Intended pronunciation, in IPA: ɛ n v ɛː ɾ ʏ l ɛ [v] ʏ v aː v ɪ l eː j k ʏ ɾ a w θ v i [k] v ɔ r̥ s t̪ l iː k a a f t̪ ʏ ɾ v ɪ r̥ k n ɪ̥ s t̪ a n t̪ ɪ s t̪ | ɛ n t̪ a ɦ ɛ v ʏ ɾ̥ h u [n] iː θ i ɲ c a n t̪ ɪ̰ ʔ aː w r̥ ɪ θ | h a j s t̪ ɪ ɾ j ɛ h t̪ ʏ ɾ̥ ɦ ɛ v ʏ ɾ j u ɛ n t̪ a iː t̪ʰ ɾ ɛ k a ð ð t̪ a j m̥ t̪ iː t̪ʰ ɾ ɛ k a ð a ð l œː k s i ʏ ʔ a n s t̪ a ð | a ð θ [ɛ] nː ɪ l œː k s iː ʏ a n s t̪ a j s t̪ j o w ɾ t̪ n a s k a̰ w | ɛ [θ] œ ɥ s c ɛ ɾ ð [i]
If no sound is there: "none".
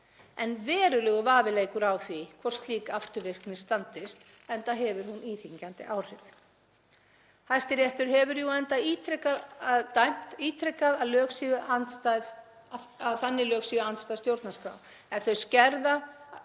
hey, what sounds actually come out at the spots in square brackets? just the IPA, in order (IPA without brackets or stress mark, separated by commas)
ɣ, kʰ, n, a, θ, a